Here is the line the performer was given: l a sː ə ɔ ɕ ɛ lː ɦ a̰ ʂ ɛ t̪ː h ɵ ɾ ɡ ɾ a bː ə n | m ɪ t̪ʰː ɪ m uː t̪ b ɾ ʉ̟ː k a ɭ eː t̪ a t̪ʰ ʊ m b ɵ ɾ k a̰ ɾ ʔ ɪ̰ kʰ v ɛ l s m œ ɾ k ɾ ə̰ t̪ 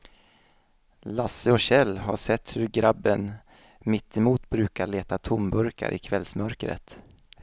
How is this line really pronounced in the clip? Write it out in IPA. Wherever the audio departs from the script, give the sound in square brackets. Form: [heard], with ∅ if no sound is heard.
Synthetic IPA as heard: l a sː ə ɔ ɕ ɛ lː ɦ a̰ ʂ ɛ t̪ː h ɵ ɾ ɡ ɾ a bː ə n | m ɪ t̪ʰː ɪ m uː t̪ b ɾ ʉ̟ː k a ɭ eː t̪ a t̪ʰ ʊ m b ɵ ɾ k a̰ ɾ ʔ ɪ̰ kʰ v ɛ l s m œ ɾ k ɾ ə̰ t̪

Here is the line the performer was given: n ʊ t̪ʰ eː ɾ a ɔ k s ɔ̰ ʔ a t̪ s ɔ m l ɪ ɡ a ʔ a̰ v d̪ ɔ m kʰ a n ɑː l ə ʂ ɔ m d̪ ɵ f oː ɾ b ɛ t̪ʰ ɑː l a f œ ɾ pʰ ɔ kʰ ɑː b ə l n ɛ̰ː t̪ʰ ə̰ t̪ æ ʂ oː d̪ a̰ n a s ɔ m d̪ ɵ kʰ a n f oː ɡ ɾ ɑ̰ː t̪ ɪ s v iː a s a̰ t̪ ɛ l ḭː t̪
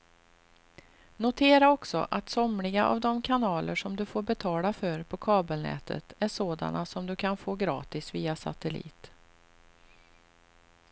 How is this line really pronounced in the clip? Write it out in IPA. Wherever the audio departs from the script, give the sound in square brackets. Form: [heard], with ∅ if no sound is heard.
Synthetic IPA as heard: n ʊ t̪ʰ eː ɾ a ɔ k s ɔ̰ ʔ a t̪ s ɔ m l ɪ ɡ a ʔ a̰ v d̪ ɔ m kʰ a n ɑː l ə ʂ ɔ m d̪ ɵ f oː ɾ b ɛ t̪ʰ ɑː l a f œ ɾ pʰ ɔ kʰ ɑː b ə l n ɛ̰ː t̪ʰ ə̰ t̪ æ ʂ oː d̪ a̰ n a s ɔ m d̪ ɵ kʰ a n f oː ɡ ɾ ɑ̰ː t̪ ɪ s v iː a s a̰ t̪ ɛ l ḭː t̪

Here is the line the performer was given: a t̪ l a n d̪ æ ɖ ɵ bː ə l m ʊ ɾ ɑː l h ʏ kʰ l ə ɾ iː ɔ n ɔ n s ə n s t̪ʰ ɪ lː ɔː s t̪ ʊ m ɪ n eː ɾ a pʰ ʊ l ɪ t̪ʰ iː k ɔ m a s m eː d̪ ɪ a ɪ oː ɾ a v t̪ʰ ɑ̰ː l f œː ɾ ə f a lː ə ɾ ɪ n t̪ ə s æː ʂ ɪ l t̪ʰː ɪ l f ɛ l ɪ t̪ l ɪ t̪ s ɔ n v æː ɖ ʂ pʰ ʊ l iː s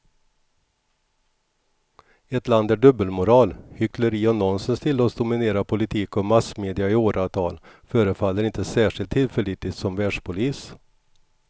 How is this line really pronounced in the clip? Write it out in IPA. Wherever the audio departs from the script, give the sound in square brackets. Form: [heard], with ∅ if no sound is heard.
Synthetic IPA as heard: [ɛ] t̪ l a n d̪ æ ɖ ɵ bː ə l m ʊ ɾ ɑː l h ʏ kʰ l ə ɾ iː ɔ n ɔ n s ə n s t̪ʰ ɪ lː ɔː s [d̪] ʊ m ɪ n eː ɾ a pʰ ʊ l ɪ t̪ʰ iː k ɔ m a s m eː d̪ ɪ a ɪ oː ɾ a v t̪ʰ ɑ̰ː l f œː ɾ ə f a lː ə ɾ ɪ n t̪ ə s æː ʂ ɪ l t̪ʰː ɪ l f ɛ l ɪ t̪ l ɪ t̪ s ɔ [m] v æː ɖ ʂ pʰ ʊ l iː s

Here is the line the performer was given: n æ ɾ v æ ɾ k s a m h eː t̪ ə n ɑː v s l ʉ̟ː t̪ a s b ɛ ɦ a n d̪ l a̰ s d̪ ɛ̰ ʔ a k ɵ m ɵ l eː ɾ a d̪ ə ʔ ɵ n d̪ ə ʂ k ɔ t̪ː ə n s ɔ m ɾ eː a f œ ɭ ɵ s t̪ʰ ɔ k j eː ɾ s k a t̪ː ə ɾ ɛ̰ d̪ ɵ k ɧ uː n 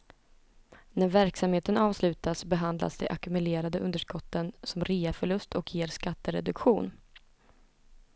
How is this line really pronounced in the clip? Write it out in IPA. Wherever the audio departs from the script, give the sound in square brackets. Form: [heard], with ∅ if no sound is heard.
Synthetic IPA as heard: n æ ɾ v æ ɾ k s a m h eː t̪ ə n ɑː v s l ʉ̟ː t̪ a s b ɛ ɦ a n d̪ l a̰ s d̪ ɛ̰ ʔ a k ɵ m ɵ l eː ɾ a d̪ ə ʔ ɵ n d̪ ə ʂ k ɔ t̪ː ə n s ɔ m ɾ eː a f œ ɭ ɵ s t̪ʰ ɔ k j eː ɾ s k a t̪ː ə ɾ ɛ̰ d̪ ɵ k ɧ uː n

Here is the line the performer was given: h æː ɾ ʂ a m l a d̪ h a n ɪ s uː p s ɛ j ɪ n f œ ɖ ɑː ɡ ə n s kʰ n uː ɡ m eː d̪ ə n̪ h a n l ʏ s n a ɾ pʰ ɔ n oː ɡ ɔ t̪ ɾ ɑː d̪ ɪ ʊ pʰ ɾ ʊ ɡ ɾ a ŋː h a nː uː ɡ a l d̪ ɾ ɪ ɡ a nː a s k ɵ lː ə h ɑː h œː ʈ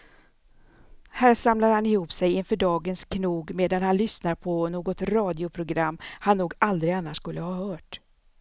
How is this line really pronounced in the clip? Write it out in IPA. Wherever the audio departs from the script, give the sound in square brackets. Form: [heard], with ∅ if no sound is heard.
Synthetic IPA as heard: h æː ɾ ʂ a m l a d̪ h a n ɪ [h] uː p s ɛ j ɪ n f œ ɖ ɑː ɡ ə n s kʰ n uː ɡ m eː d̪ [a] n̪ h a n l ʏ s n a ɾ pʰ ɔ n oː ɡ ɔ t̪ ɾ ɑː d̪ ɪ ʊ pʰ ɾ ʊ ɡ ɾ a [mː] h a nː uː ɡ a l d̪ ɾ ɪ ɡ a nː a [ʂ] k ɵ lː ə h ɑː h œː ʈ

